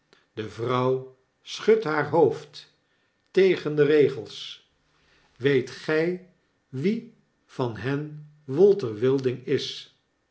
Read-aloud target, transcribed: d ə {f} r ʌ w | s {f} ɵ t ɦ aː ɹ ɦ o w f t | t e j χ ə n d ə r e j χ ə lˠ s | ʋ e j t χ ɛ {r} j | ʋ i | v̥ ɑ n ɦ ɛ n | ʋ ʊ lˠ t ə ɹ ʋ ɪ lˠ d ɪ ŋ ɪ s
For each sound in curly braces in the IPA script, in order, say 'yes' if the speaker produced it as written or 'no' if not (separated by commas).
no, no, no